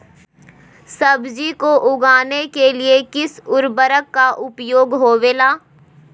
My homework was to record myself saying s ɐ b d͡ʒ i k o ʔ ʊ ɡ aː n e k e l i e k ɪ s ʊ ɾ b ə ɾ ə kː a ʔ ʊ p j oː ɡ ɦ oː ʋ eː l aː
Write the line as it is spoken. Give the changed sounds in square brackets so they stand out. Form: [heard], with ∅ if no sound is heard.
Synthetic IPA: s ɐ b d͡ʒ i k o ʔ ʊ ɡ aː n e k e l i e k ɪ s ʊ ɾ b ə ɾ ə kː a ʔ ʊ p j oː ɡ ɦ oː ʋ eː l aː